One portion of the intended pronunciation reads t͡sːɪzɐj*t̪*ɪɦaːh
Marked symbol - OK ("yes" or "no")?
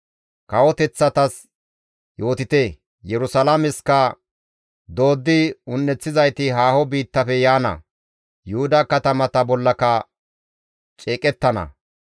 yes